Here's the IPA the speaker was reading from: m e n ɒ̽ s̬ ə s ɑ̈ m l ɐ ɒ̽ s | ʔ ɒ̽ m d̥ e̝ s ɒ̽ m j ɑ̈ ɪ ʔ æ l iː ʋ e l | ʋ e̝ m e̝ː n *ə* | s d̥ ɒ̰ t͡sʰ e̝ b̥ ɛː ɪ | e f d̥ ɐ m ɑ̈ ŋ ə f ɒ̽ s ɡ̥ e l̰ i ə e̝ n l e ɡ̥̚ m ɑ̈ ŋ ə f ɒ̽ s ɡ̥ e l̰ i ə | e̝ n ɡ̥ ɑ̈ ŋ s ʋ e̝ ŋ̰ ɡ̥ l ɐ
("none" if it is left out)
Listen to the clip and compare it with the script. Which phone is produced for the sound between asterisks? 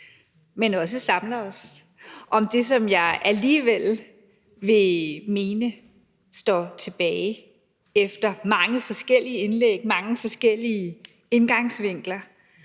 ə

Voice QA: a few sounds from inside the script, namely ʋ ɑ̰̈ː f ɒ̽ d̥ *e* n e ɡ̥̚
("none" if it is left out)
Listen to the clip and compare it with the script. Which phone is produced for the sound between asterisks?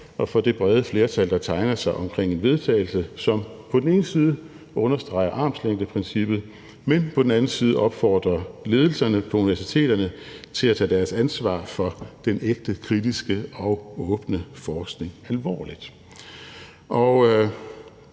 e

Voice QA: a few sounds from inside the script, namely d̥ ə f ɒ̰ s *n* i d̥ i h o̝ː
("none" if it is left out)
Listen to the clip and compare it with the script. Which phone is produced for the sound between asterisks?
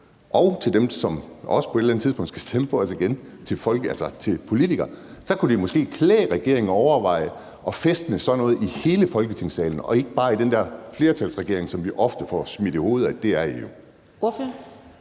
m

